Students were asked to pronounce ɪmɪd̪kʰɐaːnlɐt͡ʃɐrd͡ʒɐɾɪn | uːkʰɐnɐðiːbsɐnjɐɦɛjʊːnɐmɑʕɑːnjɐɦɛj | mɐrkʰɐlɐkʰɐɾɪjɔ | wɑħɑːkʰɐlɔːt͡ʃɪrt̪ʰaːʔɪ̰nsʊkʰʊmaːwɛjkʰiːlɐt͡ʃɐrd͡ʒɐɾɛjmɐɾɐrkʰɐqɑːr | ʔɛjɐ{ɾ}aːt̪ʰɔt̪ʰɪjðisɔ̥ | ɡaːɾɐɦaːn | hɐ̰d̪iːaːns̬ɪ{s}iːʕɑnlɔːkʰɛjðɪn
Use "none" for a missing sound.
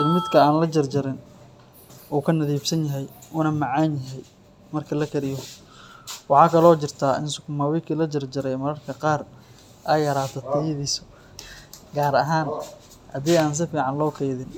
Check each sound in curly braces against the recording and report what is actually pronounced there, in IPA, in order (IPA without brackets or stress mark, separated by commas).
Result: ɾ, f